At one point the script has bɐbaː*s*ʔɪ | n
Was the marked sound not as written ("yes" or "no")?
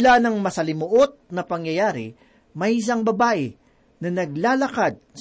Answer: yes